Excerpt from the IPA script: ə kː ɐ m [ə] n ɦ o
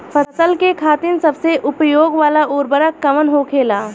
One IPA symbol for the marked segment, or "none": ə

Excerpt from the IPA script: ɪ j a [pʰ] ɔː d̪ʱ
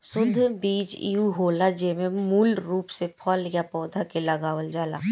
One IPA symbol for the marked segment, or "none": p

